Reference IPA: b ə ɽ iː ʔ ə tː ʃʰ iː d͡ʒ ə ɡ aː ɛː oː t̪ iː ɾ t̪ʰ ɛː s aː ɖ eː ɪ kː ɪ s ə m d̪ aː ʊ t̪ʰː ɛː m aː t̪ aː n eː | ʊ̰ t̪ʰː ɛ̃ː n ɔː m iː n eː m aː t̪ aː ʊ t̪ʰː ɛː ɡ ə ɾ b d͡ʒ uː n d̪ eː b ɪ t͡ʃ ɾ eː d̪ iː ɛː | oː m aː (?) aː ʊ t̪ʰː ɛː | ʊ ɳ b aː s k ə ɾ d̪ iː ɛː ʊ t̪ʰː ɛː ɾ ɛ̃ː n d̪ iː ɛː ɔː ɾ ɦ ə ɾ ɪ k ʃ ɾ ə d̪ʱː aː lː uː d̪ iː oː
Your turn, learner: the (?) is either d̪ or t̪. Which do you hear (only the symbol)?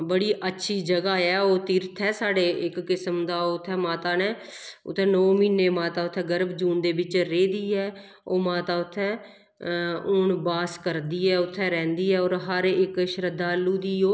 t̪